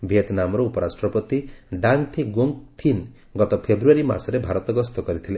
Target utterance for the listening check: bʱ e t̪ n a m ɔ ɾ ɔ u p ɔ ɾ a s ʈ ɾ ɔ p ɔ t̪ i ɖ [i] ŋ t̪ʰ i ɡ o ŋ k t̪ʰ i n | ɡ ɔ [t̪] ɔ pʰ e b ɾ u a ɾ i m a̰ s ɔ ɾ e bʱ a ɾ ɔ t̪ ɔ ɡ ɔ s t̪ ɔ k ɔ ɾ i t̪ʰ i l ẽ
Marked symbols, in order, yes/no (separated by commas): no, yes